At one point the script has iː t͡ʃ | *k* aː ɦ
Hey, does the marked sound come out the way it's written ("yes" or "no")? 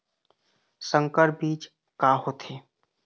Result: yes